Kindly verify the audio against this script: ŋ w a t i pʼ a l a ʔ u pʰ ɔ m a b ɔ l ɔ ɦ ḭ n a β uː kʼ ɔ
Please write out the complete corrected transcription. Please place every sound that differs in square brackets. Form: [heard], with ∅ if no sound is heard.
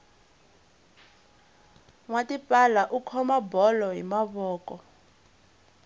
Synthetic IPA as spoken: ŋ w a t i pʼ a l a ʔ u [kʰ] ɔ m a b ɔ l ɔ ɦ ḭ [m] a β [ɔː] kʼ ɔ